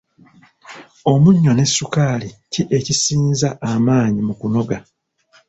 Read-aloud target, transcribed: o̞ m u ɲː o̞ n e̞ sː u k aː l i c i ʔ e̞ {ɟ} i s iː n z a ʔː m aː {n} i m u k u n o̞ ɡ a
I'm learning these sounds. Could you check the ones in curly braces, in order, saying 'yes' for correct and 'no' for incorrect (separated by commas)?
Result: no, no